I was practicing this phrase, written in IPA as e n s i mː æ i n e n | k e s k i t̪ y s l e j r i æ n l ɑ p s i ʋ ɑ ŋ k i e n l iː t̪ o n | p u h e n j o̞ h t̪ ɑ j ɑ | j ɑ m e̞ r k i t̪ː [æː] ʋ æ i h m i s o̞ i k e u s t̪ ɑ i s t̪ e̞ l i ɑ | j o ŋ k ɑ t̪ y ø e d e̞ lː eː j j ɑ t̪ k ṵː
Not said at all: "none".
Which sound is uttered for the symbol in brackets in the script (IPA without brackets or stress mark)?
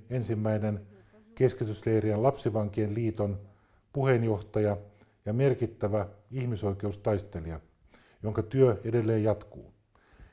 æ